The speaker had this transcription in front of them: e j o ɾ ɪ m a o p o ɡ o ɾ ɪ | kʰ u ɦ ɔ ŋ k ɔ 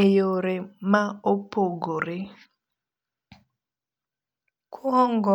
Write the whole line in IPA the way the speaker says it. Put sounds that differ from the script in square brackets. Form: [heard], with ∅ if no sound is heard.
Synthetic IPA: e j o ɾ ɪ m a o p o ɡ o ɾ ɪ | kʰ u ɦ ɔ ŋ [ɡ] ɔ